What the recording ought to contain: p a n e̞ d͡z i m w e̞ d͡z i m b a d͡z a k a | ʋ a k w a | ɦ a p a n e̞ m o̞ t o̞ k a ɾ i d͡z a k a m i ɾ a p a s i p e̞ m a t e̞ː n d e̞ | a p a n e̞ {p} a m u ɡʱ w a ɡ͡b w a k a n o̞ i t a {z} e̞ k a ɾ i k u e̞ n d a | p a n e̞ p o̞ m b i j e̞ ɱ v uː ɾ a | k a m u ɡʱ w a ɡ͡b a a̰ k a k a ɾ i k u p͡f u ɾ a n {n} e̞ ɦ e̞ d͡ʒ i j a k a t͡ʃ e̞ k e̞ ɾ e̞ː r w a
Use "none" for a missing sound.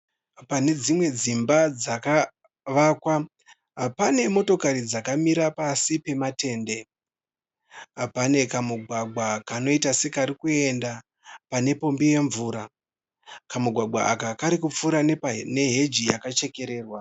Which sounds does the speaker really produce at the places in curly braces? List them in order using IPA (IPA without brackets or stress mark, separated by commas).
k, s, n